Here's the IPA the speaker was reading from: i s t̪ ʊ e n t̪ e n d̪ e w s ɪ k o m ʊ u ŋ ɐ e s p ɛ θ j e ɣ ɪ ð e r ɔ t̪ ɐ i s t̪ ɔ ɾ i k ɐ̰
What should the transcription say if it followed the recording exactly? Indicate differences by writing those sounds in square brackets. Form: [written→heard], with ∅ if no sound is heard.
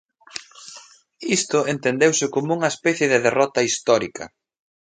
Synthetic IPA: i s t̪ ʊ e n t̪ e n d̪ e w s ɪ k o m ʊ u ŋ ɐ e s p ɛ θ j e [ɣ→ð] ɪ ð e r ɔ t̪ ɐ i s t̪ ɔ ɾ i k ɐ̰

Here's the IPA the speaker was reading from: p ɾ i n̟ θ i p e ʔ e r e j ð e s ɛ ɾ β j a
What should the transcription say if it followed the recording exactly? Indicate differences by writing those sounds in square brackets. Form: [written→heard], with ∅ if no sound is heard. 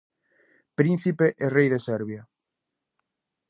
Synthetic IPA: p ɾ i n̟ θ i p e ʔ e r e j ð e s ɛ ɾ β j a

